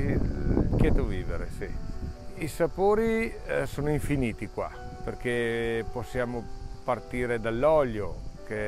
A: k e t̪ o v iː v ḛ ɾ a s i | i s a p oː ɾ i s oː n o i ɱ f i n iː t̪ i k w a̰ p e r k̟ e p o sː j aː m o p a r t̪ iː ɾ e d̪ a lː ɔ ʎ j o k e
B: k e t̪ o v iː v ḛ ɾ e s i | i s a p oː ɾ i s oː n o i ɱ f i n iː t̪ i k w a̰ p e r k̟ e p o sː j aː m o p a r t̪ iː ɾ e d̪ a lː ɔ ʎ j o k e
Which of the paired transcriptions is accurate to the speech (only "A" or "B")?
B